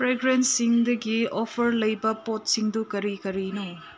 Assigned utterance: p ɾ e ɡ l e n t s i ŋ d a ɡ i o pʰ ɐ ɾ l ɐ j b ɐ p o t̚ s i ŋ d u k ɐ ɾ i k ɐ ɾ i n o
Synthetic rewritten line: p ɾ e ɡ ɾ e n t s i ŋ d ɐ ɡ i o pʰ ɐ ɾ l ɐ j b ɐ p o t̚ s i ŋ d u k ɐ ɾ i k ɐ ɾ i n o